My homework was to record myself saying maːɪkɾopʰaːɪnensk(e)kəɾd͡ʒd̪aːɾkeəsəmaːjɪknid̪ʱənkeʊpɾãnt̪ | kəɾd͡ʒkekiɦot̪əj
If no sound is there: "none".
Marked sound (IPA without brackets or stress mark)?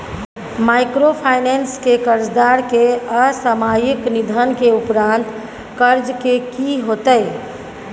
e